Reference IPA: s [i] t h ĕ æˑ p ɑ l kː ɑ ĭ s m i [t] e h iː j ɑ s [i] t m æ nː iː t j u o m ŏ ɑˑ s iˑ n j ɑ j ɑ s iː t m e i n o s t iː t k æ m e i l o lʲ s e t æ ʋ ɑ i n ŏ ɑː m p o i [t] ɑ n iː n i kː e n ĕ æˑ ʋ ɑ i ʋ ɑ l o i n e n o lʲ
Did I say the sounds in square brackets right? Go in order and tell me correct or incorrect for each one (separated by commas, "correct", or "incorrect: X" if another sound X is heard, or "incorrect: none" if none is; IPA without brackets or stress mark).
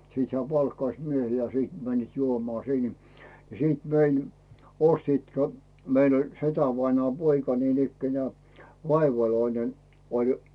incorrect: iː, incorrect: none, incorrect: iː, incorrect: k